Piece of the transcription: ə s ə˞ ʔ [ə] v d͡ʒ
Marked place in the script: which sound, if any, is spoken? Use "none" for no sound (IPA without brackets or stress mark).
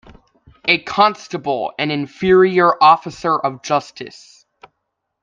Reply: ʌ